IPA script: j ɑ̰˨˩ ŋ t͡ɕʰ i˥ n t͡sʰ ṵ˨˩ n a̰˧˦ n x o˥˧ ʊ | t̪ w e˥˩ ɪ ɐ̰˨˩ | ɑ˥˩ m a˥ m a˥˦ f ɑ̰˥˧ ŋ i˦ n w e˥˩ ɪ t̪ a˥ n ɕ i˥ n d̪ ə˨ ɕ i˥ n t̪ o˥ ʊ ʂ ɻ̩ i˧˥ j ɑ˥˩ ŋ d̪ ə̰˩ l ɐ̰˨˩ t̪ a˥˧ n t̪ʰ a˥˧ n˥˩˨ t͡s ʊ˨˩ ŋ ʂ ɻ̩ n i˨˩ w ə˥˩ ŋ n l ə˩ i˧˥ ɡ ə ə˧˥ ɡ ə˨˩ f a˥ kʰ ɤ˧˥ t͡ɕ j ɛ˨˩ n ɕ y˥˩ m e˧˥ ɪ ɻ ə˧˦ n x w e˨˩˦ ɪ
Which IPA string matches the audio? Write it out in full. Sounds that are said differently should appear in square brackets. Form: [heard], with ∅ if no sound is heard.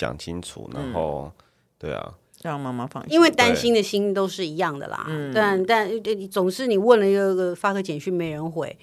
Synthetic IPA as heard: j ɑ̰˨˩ ŋ t͡ɕʰ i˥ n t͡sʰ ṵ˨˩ n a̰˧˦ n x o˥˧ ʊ | t̪ w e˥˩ ɪ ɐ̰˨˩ | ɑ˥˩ m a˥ m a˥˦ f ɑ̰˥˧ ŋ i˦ n w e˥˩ ɪ t̪ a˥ n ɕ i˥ n d̪ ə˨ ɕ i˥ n t̪ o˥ ʊ ʂ ɻ̩ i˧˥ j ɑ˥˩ ŋ d̪ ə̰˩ l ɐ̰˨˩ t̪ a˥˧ n [t̪] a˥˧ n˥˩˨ t͡s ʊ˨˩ ŋ ʂ ɻ̩ n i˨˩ w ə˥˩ [∅] n l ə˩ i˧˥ ɡ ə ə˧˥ ɡ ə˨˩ f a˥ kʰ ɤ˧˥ t͡ɕ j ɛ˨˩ n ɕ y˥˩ m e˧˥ ɪ ɻ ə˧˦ n x w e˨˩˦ ɪ